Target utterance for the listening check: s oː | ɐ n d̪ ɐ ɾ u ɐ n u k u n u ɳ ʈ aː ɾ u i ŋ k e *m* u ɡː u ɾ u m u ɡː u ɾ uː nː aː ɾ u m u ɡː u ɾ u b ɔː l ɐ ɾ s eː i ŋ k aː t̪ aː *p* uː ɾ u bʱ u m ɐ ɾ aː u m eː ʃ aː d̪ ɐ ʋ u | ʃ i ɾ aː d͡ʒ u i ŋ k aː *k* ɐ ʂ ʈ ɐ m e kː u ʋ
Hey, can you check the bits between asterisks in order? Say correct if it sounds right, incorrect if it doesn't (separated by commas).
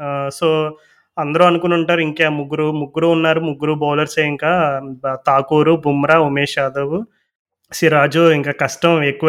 correct, incorrect, correct